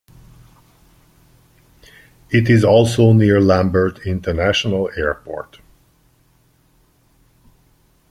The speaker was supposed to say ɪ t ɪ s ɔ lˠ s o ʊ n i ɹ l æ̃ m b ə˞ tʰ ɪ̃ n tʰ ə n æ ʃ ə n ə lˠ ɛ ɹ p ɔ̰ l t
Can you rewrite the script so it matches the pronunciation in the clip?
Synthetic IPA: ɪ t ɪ z ɔ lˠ s o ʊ n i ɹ l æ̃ m b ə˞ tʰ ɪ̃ n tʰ ə n æ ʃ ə n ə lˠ ɛ ɹ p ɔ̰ ɹ t